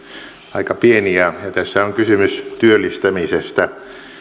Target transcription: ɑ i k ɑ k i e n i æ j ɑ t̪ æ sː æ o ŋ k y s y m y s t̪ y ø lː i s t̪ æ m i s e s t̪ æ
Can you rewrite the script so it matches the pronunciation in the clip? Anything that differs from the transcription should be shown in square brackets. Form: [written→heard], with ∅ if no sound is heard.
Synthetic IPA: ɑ i k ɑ [k→p] i e n i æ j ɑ t̪ æ sː æ o ŋ k y s y m y s t̪ y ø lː i s t̪ æ m i s e s t̪ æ